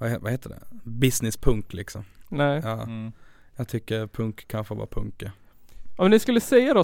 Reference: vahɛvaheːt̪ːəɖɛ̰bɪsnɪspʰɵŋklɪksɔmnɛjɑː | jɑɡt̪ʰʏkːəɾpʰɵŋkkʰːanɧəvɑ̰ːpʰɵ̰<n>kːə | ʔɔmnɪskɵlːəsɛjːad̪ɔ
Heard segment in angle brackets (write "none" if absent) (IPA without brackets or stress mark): ŋ